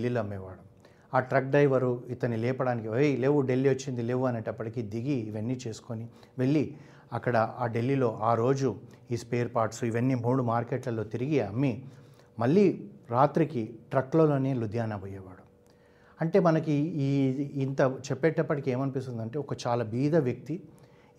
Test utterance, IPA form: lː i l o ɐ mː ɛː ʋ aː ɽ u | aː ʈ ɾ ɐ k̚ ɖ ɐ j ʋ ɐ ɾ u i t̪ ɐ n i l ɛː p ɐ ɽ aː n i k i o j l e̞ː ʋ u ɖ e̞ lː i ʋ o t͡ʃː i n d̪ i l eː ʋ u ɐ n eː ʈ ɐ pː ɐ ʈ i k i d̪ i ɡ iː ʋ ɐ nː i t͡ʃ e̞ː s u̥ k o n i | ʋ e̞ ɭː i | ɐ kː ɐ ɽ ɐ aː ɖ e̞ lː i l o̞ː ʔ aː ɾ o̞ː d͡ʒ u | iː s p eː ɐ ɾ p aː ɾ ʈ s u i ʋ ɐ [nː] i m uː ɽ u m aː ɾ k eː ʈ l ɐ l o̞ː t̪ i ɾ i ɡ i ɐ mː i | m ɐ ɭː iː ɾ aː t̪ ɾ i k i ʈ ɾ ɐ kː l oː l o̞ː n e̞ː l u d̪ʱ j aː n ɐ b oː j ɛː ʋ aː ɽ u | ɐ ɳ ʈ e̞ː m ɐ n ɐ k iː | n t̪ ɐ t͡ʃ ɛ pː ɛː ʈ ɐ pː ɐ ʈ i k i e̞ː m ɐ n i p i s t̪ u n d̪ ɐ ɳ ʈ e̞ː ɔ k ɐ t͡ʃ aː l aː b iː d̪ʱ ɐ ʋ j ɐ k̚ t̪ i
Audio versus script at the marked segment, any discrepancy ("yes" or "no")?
no